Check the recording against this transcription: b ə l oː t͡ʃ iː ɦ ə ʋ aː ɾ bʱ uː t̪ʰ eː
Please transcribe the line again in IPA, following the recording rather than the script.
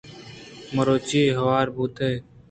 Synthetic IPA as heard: m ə ɾ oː t͡ʃ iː ɦ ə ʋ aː ɾ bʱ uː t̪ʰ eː